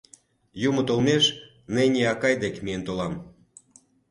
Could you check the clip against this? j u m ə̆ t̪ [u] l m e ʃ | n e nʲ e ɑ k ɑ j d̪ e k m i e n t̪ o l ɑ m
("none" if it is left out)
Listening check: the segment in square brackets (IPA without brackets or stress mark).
o